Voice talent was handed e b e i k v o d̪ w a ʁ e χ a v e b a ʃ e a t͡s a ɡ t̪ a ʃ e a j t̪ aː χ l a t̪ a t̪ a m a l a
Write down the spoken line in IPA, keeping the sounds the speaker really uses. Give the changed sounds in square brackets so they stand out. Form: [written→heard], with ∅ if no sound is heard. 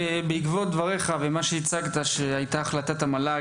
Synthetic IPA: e b e i k v o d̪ [w→v] a ʁ e χ a v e [b→m] a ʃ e [a→i] t͡s a ɡ t̪ a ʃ e a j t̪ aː χ l a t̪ a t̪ a m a l a